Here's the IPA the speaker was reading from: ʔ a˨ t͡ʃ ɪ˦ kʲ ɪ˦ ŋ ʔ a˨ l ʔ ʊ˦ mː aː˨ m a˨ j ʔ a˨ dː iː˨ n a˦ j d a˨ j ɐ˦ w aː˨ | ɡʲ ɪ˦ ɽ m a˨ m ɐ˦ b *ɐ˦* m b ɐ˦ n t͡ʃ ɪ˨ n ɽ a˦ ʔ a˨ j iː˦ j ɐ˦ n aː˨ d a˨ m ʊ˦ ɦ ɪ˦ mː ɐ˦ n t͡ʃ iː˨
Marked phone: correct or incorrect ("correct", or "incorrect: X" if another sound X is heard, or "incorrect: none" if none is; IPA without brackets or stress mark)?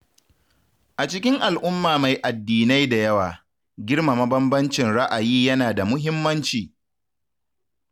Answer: correct